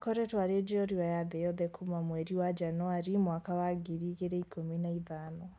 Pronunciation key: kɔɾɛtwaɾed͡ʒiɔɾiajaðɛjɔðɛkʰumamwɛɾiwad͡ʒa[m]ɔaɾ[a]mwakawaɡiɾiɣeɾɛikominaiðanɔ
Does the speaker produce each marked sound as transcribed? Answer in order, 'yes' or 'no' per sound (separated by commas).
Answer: no, no